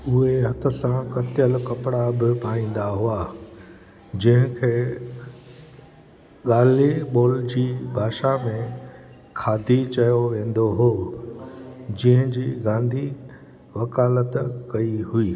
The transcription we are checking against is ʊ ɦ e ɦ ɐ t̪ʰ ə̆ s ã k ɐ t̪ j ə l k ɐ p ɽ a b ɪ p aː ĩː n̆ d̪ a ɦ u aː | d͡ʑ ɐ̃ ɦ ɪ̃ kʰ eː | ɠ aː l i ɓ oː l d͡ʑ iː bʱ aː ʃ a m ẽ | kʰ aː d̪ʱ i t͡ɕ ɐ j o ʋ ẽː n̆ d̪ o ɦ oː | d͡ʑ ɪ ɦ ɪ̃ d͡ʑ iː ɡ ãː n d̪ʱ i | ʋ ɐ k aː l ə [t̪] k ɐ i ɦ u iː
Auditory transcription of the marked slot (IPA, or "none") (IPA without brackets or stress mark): t̪